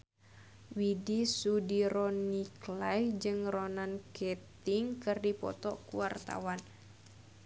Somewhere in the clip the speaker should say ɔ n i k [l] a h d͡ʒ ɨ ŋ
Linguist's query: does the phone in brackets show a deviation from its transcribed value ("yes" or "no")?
no